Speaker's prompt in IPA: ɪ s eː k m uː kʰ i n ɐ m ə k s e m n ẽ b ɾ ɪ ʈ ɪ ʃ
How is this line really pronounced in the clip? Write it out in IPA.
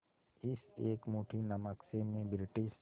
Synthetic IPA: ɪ s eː k m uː ʈʰ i n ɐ m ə k s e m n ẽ b ɾ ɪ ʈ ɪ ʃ